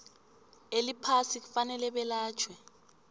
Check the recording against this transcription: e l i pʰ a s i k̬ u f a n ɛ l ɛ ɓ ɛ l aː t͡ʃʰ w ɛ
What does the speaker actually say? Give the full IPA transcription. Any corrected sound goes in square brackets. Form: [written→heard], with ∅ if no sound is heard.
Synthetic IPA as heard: e l i pʰ a s i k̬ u f a n ɛ l ɛ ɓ ɛ l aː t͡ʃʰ w ɛ